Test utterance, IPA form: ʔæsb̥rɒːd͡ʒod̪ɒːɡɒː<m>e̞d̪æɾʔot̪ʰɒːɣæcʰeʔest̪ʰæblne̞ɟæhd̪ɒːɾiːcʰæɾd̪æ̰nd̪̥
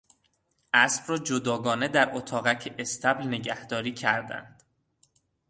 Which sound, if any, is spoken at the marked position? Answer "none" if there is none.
n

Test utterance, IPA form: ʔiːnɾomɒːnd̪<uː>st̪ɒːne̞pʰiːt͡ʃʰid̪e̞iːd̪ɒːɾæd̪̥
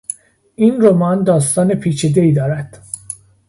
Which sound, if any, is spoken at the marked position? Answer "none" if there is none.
ɒː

